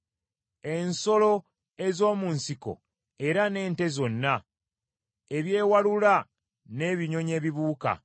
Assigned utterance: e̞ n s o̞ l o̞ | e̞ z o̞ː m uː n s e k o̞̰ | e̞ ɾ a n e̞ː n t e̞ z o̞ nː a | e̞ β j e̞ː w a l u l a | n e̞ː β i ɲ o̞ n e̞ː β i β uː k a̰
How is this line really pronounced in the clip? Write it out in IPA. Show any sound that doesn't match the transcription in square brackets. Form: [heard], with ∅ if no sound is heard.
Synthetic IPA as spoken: e̞ n s o̞ l o̞ | e̞ z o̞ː m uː n s [i] k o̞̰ | e̞ ɾ a n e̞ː n t e̞ z o̞ nː a | e̞ β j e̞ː w a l u l a | n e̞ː β i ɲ o̞ [ɲ] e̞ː β i β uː k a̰